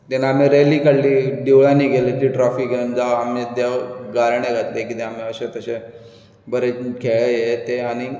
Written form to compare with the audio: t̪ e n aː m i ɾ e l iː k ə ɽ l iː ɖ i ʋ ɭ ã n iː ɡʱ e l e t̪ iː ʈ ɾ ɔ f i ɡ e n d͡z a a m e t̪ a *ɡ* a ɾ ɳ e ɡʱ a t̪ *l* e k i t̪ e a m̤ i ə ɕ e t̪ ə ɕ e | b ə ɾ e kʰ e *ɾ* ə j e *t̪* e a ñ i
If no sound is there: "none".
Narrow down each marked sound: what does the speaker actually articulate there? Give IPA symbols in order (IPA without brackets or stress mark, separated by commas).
ɡ, l, ɭ, t̪